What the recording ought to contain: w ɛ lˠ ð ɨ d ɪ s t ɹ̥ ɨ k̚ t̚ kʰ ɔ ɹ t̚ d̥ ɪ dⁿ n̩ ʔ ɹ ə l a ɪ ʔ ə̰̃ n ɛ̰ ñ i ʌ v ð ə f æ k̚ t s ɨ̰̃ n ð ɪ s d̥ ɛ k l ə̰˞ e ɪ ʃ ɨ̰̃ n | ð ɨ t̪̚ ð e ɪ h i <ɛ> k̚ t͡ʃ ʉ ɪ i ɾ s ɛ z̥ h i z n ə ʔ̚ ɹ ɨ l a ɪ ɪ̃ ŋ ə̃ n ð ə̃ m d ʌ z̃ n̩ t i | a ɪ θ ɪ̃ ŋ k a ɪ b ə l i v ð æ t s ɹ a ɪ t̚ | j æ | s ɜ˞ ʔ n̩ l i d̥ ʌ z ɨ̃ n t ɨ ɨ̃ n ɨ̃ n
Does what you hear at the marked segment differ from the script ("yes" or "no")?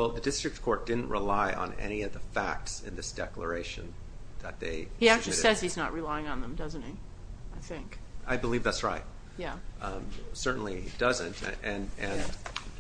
yes